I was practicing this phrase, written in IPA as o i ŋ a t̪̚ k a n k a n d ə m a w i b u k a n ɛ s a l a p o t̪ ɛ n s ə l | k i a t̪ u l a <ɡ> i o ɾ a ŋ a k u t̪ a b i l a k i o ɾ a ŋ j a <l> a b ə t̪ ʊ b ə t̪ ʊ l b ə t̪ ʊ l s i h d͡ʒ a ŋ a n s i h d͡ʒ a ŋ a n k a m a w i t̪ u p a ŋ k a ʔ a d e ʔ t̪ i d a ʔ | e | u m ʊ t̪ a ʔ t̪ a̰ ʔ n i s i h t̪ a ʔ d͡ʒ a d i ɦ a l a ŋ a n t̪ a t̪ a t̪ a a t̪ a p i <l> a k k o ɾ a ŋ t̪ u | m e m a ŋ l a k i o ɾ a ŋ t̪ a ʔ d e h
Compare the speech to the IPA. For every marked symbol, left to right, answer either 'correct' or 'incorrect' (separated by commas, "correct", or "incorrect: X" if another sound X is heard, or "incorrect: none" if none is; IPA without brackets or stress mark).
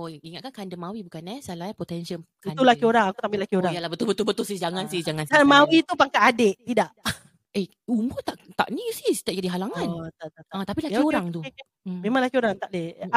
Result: incorrect: k, correct, correct